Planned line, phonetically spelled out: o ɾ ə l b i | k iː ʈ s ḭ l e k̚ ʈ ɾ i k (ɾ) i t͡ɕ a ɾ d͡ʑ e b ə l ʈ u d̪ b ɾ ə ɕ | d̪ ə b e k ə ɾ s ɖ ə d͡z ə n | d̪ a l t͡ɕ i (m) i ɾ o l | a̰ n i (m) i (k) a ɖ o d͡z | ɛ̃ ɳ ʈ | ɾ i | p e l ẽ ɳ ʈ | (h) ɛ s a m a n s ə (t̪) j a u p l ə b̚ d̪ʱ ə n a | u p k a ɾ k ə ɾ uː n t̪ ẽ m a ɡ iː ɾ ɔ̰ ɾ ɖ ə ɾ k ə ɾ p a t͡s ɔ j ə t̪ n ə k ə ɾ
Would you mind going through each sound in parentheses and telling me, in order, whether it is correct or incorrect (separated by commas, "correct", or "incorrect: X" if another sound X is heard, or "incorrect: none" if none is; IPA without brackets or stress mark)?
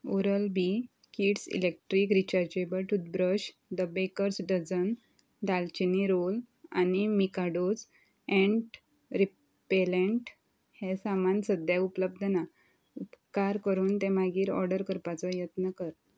correct, incorrect: n, correct, correct, correct, incorrect: d̪